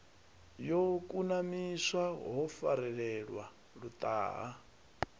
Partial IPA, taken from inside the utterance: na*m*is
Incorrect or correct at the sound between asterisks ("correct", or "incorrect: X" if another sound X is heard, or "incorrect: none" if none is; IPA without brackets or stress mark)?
correct